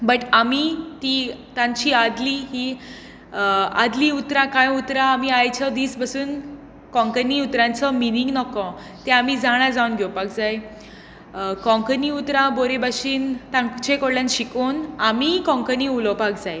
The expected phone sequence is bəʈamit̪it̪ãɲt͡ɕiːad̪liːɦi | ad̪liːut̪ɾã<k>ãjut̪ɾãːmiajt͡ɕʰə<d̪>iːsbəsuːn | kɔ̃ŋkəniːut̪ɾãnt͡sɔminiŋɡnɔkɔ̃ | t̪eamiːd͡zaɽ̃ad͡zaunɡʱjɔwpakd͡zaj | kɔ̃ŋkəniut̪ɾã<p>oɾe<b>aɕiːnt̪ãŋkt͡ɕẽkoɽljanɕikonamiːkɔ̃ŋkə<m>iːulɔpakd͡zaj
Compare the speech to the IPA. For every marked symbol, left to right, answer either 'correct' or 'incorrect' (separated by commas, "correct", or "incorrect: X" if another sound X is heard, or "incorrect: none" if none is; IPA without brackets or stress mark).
correct, correct, incorrect: b, correct, incorrect: n